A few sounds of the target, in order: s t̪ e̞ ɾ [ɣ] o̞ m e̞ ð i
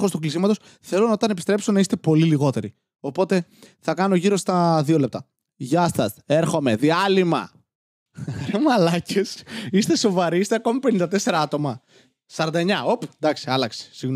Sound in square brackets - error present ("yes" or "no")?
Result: yes